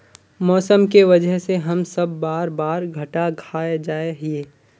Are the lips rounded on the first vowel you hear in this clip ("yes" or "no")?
yes